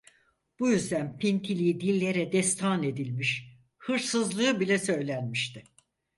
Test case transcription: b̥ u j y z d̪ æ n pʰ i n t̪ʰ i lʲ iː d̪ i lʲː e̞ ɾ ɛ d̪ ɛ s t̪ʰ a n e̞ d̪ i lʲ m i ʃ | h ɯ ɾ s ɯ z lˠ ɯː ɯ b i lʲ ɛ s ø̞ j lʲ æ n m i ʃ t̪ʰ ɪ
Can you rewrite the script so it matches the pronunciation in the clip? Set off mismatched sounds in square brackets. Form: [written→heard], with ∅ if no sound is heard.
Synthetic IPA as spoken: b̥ u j y z d̪ æ n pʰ i n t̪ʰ i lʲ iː d̪ i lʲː e̞ ɾ ɛ d̪ ɛ s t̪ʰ a n e̞ d̪ i lʲ m i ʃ | h ɯ ɾ s ɯ z lˠ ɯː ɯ b i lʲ ɛ s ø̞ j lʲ æ n m i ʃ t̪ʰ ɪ